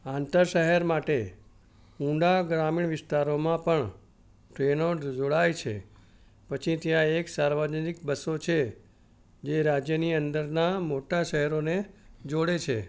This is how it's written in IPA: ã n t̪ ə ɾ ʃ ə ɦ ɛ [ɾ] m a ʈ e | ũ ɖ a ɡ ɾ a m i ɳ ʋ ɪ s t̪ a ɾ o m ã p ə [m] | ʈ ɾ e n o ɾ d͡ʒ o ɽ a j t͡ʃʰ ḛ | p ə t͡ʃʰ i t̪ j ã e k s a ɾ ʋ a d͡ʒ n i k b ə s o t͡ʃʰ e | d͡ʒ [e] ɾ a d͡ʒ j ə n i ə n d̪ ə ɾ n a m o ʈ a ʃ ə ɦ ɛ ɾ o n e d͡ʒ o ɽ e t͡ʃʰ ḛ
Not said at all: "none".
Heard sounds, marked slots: ɾ, ɳ, e

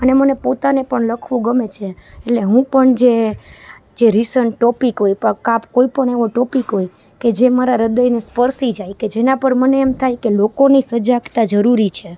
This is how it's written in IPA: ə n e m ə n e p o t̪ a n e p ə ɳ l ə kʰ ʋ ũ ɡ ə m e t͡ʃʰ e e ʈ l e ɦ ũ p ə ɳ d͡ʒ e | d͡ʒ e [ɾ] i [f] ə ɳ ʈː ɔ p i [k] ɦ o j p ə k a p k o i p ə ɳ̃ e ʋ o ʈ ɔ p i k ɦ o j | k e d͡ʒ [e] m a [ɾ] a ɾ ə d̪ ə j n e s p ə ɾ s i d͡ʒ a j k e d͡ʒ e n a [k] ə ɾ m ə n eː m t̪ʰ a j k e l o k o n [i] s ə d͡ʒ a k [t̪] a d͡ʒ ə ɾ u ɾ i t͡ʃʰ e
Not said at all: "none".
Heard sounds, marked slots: ɾ, s, k, e, ɾ, p, i, t̪

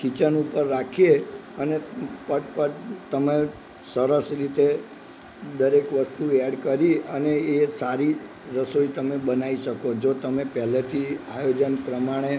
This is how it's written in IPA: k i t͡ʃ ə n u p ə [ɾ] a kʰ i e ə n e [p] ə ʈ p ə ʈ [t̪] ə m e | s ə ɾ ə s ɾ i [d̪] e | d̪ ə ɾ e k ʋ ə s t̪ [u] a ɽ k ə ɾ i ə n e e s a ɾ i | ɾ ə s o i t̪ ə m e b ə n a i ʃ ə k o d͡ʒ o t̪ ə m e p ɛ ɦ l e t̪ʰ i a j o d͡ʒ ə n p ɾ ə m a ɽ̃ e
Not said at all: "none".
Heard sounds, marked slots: ɾː, p, t̪, t̪, u

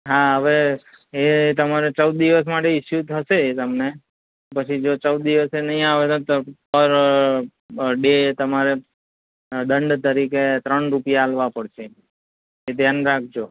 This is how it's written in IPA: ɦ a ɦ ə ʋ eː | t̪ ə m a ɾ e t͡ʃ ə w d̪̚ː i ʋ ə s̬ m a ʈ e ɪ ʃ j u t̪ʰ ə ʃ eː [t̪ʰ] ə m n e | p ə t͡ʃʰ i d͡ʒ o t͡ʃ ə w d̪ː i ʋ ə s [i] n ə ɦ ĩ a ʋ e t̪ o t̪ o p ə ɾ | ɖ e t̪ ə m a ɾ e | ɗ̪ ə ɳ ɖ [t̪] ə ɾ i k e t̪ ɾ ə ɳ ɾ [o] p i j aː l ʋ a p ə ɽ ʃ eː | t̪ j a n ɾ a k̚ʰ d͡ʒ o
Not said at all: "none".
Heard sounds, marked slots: t̪, e, t̪, u

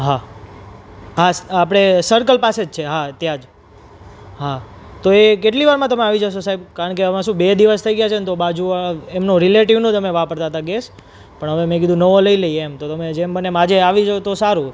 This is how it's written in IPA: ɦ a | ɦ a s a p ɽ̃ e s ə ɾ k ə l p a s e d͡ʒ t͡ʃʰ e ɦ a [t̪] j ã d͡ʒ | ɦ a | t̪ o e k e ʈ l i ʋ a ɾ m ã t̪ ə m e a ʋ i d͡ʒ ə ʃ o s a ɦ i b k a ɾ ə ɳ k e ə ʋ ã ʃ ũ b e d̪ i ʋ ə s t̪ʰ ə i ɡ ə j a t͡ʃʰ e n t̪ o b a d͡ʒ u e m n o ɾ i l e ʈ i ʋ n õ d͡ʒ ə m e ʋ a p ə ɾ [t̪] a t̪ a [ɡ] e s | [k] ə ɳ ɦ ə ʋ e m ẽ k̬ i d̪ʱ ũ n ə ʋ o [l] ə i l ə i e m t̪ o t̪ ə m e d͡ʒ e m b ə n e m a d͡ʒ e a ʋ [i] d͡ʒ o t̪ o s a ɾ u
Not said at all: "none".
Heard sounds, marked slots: t̪, t̪, ɡ, p, l, i

